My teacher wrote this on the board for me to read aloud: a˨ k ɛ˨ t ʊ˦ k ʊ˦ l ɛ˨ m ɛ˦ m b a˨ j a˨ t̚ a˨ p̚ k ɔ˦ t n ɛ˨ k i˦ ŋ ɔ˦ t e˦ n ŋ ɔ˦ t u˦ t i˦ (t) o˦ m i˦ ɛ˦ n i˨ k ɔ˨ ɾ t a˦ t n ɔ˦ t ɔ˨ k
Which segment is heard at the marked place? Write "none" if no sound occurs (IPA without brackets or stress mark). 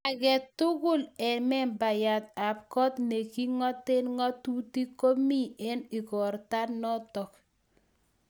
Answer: k